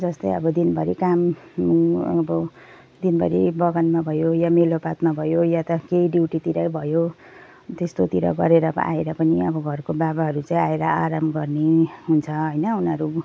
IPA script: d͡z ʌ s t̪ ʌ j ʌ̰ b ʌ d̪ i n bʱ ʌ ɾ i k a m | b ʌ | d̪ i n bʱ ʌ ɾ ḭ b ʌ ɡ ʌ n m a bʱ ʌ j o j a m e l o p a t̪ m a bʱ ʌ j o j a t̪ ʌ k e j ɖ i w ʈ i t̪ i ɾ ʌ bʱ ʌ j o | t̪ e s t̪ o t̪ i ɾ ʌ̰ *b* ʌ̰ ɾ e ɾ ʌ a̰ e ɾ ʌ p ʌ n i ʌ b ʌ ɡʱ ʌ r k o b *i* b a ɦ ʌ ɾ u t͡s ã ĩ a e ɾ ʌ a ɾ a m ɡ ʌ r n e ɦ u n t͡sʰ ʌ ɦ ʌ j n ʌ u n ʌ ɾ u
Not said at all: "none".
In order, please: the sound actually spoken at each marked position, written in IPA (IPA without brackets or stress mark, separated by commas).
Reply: ɡ, a